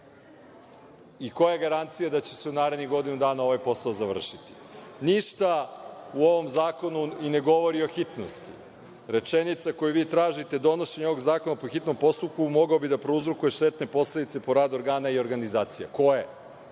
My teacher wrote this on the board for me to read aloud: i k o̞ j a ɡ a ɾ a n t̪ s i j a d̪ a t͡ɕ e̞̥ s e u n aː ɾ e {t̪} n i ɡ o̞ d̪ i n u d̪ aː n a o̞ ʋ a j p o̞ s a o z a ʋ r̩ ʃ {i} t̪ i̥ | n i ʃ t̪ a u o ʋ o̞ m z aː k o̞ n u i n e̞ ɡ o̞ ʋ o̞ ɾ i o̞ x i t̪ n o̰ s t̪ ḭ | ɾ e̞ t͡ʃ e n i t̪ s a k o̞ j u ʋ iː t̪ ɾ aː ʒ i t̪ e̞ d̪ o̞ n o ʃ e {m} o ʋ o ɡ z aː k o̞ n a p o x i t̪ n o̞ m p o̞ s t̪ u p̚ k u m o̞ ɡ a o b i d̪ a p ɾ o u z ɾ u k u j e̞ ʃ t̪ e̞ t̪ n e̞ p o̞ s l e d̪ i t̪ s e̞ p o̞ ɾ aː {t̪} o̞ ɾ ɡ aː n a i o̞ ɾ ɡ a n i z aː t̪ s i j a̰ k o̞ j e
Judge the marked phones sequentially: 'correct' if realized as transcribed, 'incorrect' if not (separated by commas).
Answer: incorrect, correct, incorrect, incorrect